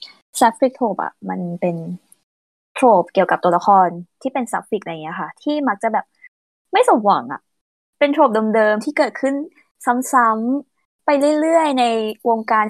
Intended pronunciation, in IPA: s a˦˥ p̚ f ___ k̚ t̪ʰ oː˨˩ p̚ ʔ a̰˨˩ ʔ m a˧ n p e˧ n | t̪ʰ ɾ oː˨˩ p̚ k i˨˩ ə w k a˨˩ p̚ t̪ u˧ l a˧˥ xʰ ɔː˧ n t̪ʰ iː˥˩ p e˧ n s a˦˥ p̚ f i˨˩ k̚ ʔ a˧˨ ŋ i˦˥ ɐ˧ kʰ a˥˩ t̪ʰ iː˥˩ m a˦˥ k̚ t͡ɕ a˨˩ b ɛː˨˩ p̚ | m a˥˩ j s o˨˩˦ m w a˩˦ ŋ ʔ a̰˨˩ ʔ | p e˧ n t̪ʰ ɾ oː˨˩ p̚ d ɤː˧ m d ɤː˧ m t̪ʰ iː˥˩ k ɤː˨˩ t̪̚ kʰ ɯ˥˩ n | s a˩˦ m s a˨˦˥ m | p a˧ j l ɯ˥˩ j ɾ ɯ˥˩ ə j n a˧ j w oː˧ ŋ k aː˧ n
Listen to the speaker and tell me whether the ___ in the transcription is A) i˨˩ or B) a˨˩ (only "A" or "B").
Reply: A